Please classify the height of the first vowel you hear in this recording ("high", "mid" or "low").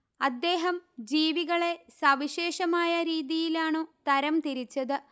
low